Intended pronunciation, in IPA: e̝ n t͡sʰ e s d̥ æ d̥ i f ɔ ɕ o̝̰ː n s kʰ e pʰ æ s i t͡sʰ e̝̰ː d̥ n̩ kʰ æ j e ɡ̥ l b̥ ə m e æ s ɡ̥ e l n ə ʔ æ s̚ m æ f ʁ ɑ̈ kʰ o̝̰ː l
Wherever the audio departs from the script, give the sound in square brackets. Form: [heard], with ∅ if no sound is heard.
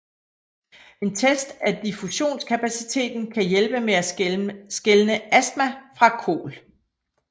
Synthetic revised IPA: e̝ n t͡sʰ e s d̥ æ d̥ i f [u] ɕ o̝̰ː n s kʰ [æ] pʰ æ s i t͡sʰ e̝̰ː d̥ n̩ kʰ æ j e [∅] l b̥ ə m e æ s ɡ̥ e l n ə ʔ æ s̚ m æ f ʁ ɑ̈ kʰ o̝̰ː l